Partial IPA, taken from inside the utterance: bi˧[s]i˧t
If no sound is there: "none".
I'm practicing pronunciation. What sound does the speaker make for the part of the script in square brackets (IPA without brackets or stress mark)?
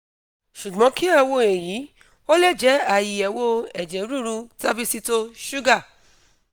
s